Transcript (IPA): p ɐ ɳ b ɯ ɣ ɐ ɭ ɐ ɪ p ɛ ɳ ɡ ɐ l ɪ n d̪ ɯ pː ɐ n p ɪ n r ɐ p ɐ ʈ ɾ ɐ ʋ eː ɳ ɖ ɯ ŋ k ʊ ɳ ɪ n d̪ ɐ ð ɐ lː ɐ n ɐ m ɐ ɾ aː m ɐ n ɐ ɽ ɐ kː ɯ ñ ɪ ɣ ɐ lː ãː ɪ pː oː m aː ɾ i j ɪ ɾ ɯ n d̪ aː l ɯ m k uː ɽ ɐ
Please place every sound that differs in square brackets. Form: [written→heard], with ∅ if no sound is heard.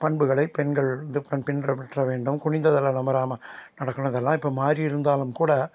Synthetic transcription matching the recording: p ɐ ɳ b ɯ ɣ ɐ ɭ ɐ ɪ p ɛ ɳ ɡ ɐ [l→ɭ] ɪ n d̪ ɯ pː ɐ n p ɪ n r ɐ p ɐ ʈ [ɾ→r] ɐ ʋ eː ɳ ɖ ɯ [ŋ→m] k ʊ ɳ ɪ n d̪ ɐ ð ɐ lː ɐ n ɐ m ɐ ɾ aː m ɐ n ɐ ɽ ɐ kː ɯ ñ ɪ [ɣ→ð] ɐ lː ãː ɪ pː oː m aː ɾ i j ɪ ɾ ɯ n d̪ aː l ɯ m k uː ɽ ɐ